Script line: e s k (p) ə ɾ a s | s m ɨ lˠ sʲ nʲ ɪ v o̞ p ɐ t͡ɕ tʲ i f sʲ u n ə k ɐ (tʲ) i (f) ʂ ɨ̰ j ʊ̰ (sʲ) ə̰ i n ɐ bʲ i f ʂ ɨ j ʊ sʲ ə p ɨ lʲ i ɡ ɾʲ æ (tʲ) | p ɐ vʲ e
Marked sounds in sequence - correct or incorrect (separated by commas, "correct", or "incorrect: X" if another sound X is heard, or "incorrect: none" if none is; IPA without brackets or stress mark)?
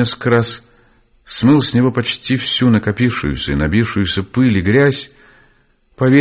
incorrect: k, incorrect: pʲ, correct, correct, incorrect: sʲ